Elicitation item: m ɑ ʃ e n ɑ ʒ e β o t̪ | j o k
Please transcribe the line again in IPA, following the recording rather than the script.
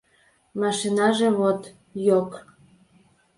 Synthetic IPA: m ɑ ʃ i n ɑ ʒ e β o t̪ | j o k